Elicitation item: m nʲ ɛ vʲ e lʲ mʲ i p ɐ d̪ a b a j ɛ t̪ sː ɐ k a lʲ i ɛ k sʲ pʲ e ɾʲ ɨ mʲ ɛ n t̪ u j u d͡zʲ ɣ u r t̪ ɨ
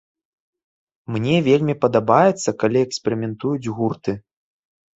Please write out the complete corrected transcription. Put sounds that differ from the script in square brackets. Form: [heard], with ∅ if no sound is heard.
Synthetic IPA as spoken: m nʲ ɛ vʲ e lʲ mʲ i p ɐ d̪ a b a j ɛ t̪ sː ɐ k a lʲ i ɛ k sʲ pʲ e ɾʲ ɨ mʲ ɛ n t̪ u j u d͡zʲ ɣ u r t̪ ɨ